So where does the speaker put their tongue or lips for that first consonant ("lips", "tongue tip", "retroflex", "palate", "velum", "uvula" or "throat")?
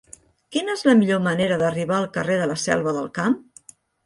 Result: velum